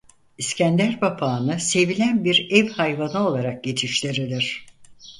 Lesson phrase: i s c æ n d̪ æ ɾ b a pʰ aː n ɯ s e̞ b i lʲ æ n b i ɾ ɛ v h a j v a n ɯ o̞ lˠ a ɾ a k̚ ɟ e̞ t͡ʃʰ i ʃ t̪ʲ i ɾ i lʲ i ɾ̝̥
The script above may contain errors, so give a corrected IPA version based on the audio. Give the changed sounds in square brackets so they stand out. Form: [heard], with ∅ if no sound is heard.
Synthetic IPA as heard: i s c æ n d̪ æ ɾ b a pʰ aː n ɯ s e̞ [v] i lʲ æ n b i ɾ ɛ v h a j v a n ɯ o̞ lˠ a ɾ a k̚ ɟ e̞ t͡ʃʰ i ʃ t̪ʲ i ɾ i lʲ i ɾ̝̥